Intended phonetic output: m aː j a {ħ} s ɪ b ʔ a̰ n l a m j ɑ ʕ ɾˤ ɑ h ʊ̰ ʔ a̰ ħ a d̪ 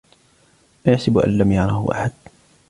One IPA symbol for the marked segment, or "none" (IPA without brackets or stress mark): ħ